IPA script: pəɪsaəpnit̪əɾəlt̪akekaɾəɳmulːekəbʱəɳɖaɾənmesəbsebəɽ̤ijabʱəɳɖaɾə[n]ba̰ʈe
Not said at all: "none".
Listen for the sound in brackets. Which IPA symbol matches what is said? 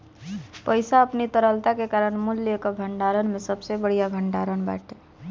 n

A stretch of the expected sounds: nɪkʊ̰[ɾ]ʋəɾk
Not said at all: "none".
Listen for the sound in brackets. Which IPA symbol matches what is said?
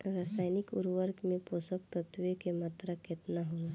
ɾ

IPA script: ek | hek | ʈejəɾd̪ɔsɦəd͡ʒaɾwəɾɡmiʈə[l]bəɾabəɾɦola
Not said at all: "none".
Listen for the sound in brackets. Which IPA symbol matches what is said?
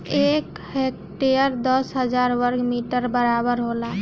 ɾ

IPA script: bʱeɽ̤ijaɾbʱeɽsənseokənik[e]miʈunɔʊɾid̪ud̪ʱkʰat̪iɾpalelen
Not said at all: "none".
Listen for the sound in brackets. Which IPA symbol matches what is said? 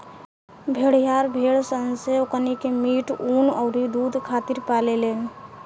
e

